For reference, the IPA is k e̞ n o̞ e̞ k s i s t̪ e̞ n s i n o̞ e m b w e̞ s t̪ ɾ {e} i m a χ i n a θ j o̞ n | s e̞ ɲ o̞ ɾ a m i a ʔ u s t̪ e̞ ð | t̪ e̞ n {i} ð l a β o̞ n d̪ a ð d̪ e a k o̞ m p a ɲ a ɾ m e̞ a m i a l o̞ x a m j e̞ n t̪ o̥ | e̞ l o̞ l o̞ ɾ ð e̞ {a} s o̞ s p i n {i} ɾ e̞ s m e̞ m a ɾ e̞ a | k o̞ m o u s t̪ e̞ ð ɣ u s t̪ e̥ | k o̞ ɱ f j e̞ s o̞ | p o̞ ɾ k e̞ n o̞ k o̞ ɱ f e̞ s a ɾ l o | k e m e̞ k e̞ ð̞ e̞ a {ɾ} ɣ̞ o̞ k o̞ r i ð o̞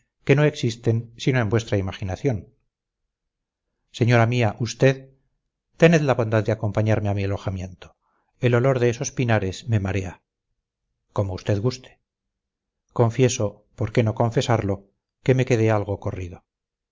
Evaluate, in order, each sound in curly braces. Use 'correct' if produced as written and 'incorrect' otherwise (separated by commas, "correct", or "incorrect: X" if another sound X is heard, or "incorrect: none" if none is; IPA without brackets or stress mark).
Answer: incorrect: a, incorrect: e, incorrect: e, incorrect: a, incorrect: l